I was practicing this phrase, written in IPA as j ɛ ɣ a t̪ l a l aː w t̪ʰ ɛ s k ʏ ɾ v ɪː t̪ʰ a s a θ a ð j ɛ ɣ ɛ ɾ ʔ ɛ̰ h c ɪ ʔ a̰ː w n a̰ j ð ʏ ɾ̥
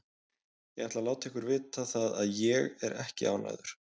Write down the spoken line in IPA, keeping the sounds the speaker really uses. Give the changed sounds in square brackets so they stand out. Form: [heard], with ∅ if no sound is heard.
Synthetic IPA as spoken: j ɛ ɣ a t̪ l a l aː w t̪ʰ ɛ [h] k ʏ ɾ v ɪː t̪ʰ a [θ] a [ð] a ð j ɛ ɣ ɛ ɾ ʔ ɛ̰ h c ɪ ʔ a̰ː w n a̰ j ð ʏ ɾ̥